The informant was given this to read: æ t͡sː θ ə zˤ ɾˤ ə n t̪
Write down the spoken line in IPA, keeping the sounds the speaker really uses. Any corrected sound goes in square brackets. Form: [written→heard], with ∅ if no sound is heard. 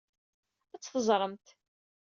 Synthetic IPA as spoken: æ t͡sː θ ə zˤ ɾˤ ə [n→m] t̪

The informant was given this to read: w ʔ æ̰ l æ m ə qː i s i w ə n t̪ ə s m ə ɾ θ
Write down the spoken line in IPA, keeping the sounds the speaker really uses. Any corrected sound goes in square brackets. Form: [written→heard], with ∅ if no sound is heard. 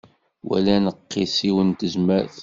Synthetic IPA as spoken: w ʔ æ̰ l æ [m→n] ə qː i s i w ə n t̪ ə [s→z] m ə ɾ θ

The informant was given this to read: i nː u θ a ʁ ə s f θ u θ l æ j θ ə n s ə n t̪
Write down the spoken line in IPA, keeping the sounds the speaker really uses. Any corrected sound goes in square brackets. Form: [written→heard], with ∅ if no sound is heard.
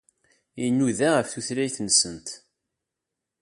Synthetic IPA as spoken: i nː u [θ→ð] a ʁ ə [s→∅] f θ u θ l æ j θ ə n s ə n t̪

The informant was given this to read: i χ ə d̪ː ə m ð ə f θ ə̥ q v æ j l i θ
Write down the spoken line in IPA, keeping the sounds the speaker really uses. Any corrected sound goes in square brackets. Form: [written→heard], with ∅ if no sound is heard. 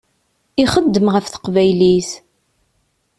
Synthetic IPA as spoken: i χ ə d̪ː ə m [ð→ʁ] ə f θ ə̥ q v æ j l i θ

